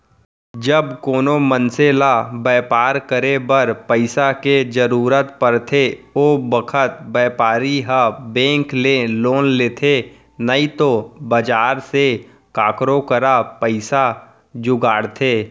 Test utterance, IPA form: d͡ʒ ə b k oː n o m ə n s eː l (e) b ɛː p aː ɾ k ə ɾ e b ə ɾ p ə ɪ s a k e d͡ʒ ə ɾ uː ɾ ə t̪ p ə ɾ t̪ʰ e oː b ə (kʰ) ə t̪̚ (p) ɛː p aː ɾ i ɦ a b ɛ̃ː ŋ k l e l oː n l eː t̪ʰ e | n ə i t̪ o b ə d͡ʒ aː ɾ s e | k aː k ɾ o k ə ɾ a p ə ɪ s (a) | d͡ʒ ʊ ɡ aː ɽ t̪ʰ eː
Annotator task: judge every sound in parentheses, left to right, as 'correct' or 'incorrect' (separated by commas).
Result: incorrect, correct, incorrect, correct